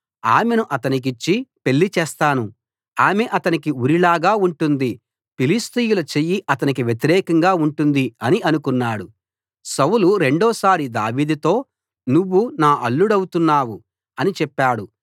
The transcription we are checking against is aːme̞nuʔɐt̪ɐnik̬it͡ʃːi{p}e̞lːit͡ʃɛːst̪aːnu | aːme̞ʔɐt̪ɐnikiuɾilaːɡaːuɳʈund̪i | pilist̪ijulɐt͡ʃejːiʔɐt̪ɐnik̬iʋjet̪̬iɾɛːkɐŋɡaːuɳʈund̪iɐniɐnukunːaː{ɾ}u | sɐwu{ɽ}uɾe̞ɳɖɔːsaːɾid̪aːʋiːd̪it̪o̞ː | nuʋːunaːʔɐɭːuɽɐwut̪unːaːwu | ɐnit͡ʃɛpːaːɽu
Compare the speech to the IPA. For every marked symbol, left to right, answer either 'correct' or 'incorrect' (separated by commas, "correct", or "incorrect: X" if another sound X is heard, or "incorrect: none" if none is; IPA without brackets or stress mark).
correct, incorrect: ɽ, incorrect: l